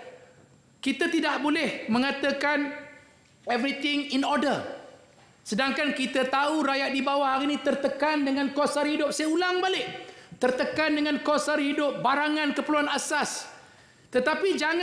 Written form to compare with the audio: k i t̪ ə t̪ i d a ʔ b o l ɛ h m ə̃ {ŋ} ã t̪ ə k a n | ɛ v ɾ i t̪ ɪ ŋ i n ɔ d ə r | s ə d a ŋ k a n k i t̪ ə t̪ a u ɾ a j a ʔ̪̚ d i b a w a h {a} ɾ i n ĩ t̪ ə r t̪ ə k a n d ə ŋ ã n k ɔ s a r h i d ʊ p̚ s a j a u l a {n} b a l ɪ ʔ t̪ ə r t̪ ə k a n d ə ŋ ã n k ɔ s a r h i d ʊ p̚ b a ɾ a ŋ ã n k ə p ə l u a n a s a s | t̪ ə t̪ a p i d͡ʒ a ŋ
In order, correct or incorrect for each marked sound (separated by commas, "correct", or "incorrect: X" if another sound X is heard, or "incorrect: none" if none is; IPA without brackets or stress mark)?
correct, correct, incorrect: ŋ